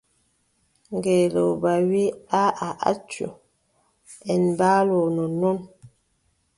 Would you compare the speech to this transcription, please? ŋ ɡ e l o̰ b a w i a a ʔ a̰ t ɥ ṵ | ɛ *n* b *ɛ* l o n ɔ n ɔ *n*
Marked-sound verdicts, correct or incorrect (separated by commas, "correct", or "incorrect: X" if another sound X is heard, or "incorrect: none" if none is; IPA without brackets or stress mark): correct, incorrect: a, correct